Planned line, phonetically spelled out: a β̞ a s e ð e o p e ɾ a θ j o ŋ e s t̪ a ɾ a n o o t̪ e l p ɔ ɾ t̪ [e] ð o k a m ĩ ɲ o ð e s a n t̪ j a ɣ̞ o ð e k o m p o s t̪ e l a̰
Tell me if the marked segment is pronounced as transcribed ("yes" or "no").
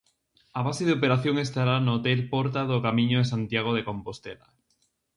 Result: no